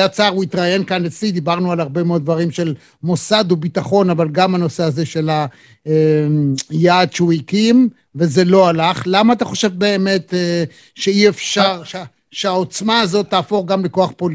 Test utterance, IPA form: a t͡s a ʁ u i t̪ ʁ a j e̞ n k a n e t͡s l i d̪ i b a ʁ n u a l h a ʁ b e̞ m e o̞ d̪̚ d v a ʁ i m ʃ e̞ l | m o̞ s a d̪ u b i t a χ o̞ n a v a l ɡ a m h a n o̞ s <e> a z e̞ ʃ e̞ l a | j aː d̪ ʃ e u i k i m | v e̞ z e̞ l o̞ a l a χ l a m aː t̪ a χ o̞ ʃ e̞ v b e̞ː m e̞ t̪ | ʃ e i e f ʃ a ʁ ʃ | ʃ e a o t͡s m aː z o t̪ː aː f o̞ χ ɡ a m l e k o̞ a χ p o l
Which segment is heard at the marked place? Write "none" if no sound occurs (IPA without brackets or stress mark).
e